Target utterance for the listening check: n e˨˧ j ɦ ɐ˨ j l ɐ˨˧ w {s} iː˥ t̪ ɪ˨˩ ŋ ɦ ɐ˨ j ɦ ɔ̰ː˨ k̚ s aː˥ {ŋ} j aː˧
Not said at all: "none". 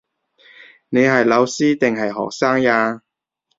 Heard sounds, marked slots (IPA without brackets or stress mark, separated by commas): s, ŋ